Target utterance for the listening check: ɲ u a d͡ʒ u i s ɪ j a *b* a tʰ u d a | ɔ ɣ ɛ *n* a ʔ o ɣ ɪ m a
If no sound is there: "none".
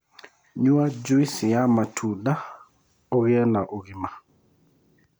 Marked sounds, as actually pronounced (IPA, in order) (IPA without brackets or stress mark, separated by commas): m, n